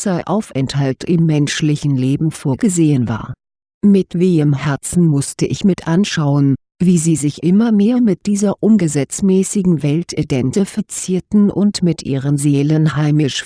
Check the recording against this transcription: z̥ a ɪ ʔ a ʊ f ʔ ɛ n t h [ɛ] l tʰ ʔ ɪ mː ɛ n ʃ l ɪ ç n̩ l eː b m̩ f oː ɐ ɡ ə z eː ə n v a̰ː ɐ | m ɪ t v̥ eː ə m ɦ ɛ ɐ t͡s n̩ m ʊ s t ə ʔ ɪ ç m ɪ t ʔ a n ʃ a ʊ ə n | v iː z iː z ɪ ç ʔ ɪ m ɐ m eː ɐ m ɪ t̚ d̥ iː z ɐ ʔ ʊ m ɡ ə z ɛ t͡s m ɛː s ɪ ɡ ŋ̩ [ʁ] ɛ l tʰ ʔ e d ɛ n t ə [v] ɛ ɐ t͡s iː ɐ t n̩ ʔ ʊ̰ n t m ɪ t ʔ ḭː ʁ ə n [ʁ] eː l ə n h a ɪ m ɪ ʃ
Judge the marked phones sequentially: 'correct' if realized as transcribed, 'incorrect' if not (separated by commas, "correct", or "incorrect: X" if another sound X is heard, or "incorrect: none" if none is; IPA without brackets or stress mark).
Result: incorrect: a, incorrect: v, incorrect: f, incorrect: z